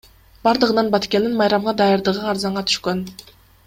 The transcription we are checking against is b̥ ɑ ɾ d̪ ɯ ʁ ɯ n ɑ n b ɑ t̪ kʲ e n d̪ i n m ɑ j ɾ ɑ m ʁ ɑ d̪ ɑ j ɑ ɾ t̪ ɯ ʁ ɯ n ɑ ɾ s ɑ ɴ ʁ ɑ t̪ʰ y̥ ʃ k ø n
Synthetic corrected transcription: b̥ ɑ ɾ d̪ ɯ ʁ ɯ n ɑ n b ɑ t̪ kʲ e n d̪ i n m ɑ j ɾ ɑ m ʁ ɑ d̪ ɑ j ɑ ɾ d̪ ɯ ʁ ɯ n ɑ ɾ z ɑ ɴ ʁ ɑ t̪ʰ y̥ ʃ k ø n